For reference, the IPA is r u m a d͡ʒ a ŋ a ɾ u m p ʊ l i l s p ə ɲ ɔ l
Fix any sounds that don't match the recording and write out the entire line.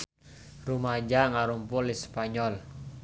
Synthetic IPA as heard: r u m a d͡ʒ a ŋ a ɾ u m p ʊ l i s p a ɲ ɔ l